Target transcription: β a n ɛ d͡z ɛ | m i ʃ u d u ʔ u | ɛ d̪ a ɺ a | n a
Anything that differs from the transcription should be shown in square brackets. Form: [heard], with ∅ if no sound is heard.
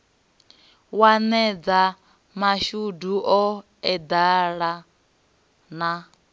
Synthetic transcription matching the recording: [w] a n ɛ d͡z [a] | m [a] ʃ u d u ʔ [ɔ] | ɛ d̪ a ɺ a | n a